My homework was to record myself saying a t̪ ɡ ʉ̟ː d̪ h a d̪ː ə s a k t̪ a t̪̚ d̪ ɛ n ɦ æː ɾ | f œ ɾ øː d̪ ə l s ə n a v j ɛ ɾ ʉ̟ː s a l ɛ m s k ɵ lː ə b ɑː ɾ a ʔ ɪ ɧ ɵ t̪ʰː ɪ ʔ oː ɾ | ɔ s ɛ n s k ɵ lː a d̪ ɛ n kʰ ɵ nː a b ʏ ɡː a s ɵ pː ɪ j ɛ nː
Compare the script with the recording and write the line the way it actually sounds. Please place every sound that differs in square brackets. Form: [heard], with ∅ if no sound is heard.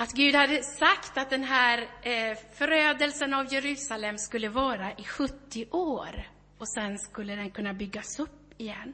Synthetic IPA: a t̪ ɡ ʉ̟ː d̪ h a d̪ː ə s a k t̪ a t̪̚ d̪ ɛ n ɦ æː ɾ | f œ ɾ øː d̪ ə l s ə n a v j ɛ ɾ ʉ̟ː s a l ɛ m s k ɵ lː ə [v] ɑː ɾ a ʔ ɪ ɧ ɵ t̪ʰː ɪ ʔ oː ɾ | ɔ s ɛ n s k ɵ lː [ə] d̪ ɛ n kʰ ɵ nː a b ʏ ɡː a s ɵ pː ɪ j ɛ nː